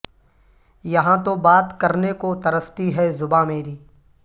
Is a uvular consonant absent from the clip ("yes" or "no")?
yes